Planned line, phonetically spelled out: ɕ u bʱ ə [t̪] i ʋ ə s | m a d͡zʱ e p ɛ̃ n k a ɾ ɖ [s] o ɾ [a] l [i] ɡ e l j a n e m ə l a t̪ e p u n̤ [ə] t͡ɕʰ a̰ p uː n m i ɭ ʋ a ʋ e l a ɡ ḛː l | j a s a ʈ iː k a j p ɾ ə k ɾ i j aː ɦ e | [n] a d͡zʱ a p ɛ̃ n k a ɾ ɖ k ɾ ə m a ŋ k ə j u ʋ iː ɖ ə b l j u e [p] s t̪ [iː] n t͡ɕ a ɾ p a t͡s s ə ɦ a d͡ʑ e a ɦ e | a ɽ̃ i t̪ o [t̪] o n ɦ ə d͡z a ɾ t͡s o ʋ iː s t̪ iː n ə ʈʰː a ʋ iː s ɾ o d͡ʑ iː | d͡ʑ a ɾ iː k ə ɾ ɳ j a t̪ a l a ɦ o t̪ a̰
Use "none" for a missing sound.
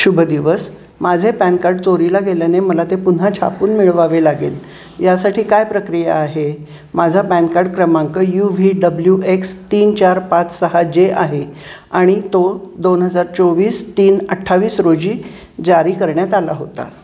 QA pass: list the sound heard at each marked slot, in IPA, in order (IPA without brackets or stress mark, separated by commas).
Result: d̪, t͡s, i, a, a, m, k, iː, d̪